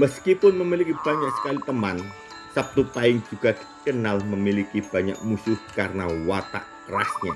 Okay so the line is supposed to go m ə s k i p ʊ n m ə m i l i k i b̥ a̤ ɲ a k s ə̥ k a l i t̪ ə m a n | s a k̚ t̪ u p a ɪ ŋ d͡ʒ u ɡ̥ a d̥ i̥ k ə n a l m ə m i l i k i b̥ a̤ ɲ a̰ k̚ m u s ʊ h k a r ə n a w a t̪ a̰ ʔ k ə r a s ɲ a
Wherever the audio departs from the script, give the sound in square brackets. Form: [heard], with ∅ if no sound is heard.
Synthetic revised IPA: m ə s k i p ʊ n m ə m i l i k i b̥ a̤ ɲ a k s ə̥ k a l i t̪ ə m a n | s a [p̚] t̪ u p a ɪ ŋ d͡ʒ u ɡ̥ a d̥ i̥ k ə n a l m ə m i l i k i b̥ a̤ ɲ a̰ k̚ m u s ʊ h k a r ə n a w a t̪ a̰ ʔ k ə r a s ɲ a